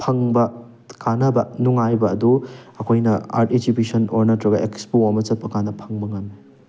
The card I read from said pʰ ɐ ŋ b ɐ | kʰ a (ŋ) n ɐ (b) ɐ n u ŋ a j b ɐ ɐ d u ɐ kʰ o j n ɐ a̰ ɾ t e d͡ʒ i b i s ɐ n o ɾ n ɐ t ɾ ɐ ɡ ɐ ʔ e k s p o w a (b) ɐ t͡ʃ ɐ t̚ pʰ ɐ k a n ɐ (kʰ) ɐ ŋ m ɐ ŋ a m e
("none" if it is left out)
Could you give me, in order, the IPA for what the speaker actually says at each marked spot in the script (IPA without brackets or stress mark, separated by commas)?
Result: none, b, m, pʰ